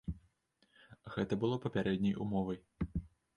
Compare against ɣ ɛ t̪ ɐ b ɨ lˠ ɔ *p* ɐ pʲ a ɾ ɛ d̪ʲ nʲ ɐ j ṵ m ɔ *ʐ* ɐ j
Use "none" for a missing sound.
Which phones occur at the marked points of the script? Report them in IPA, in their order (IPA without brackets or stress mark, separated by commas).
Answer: p, v